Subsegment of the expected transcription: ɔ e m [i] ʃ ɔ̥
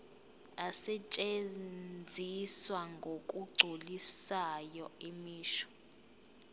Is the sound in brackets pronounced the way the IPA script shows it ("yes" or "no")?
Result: no